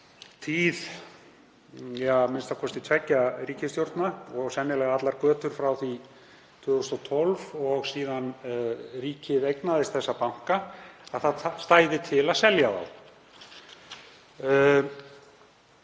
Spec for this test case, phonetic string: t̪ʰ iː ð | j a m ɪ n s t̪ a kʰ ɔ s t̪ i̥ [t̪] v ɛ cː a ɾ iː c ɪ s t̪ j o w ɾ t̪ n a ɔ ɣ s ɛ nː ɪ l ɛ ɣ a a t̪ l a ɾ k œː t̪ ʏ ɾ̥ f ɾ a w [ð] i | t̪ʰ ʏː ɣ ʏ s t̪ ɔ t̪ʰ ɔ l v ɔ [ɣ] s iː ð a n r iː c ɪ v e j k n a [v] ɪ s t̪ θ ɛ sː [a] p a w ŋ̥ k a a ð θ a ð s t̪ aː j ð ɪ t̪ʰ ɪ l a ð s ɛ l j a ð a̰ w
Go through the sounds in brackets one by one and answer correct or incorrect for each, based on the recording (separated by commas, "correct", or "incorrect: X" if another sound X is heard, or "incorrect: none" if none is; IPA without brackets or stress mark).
incorrect: t̪ʰ, incorrect: θ, correct, incorrect: ð, correct